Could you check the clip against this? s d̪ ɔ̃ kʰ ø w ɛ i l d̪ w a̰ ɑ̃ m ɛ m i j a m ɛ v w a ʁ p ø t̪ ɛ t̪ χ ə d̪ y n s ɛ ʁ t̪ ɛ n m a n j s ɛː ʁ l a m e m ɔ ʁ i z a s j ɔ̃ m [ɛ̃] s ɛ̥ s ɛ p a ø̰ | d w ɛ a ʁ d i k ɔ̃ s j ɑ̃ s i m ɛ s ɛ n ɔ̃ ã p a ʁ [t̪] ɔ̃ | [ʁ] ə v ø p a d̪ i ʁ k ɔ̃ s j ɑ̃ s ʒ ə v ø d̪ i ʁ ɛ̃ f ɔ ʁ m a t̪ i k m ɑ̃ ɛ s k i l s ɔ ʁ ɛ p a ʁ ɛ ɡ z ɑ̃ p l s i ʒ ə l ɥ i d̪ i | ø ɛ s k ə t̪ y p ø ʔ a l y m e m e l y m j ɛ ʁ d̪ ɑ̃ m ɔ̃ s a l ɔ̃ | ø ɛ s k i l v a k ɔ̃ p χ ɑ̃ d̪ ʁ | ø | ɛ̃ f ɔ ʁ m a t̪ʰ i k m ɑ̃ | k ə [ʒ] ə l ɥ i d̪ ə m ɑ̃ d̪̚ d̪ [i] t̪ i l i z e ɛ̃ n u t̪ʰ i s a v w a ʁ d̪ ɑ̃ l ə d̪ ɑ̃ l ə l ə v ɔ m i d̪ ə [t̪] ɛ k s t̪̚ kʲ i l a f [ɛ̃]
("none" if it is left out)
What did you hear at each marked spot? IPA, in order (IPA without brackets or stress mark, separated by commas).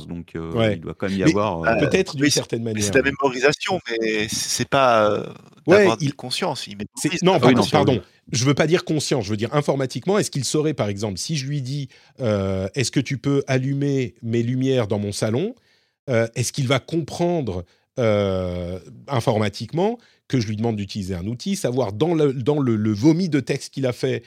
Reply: ɛ, d̪, ʒ, ʒ, y, t̪, ɛ